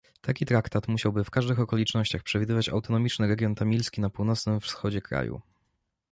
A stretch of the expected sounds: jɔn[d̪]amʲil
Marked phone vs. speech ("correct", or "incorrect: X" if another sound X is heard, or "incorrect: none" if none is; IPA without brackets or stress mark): incorrect: t̪